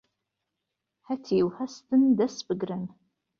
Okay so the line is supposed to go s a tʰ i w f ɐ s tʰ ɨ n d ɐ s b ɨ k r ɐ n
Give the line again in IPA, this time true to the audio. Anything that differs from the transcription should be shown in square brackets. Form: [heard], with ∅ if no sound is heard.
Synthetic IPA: [ħ] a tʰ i w [ħ] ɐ s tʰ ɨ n d ɐ s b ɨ [ɡ] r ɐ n